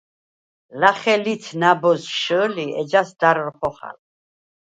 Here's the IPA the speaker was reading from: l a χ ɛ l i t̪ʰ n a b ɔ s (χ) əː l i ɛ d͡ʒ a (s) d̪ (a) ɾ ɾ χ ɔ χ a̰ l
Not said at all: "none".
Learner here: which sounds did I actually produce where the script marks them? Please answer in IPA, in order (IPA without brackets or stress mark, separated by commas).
ʃ, s, a